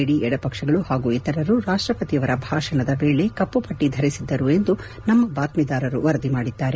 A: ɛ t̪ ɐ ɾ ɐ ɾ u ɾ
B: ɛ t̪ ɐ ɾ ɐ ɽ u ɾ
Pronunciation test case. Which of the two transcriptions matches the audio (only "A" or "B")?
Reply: A